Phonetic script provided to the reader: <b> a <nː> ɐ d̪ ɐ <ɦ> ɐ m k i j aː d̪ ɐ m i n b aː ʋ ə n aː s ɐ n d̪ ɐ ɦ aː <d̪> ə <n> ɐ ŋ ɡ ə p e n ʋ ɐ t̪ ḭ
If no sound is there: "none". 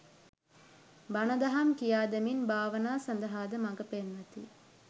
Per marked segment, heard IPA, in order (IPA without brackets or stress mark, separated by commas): b, n, ɦ, d̪, m